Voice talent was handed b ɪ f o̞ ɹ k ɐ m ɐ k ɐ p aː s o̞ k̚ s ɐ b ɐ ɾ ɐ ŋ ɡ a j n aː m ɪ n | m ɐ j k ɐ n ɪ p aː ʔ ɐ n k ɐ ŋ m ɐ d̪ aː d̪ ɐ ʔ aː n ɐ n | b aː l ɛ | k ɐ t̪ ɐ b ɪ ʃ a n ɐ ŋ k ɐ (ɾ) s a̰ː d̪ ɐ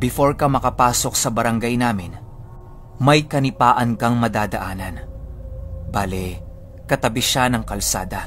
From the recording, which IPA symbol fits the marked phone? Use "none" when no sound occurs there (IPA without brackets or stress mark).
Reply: l